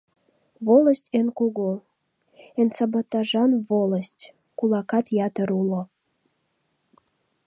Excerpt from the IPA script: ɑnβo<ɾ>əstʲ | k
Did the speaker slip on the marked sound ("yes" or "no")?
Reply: yes